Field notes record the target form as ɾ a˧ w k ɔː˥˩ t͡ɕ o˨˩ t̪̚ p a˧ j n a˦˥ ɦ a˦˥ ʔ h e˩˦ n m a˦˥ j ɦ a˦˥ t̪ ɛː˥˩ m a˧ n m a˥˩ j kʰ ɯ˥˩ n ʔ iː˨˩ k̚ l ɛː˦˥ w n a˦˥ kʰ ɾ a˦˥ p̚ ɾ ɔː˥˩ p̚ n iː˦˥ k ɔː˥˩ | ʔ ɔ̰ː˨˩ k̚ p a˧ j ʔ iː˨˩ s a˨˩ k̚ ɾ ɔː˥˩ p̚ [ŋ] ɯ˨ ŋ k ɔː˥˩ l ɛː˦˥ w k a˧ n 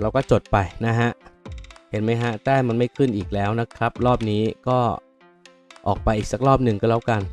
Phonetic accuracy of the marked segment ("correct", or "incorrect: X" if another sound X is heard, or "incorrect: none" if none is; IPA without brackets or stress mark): incorrect: n